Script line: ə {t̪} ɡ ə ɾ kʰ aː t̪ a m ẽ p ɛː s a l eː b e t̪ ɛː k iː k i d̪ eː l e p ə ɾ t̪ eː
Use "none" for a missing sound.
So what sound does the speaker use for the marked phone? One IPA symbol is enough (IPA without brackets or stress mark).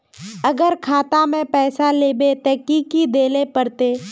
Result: none